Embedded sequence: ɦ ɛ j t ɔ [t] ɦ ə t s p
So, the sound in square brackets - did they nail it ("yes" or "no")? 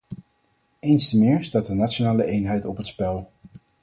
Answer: no